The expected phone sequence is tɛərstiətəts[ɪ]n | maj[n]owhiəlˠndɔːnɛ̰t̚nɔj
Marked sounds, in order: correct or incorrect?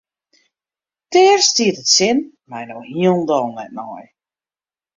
correct, correct

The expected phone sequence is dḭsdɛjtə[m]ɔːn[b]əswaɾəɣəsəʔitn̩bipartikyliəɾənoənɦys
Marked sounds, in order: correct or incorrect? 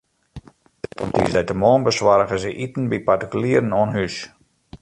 correct, correct

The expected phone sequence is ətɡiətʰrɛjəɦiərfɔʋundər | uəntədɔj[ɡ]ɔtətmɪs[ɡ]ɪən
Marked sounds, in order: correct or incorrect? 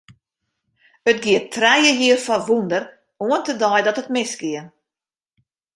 incorrect, correct

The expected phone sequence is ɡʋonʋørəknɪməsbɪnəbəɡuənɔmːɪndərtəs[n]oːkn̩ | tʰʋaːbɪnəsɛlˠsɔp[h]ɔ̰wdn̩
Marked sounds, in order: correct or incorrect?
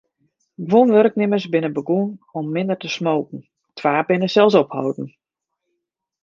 incorrect, correct

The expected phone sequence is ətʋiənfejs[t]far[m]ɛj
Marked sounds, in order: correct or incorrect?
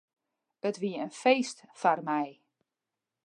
correct, correct

